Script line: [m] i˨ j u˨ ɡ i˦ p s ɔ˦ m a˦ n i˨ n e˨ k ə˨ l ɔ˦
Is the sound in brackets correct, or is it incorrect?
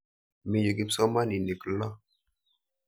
correct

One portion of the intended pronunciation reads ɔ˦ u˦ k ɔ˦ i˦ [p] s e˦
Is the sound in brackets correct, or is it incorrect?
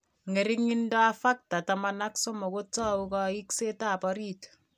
incorrect: k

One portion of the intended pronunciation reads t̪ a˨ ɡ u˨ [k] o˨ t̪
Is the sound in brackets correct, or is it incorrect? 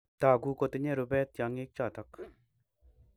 correct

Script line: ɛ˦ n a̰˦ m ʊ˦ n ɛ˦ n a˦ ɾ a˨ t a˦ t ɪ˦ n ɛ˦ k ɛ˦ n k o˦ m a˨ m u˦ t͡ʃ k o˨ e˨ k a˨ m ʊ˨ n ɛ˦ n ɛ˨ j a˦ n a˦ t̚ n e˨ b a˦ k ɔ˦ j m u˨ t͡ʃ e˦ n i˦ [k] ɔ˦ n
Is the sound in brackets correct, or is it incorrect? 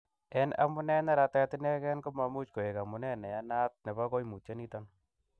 incorrect: t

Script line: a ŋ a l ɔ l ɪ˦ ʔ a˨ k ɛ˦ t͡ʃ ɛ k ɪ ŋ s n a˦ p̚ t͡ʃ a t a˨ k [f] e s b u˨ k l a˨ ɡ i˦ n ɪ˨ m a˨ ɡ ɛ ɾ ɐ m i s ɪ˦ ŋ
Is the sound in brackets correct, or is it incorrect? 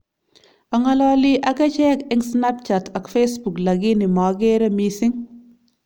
correct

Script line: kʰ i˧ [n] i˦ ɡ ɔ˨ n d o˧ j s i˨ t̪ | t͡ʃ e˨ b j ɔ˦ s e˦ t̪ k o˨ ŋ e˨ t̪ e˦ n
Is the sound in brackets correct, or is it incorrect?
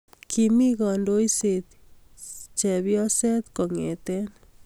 incorrect: m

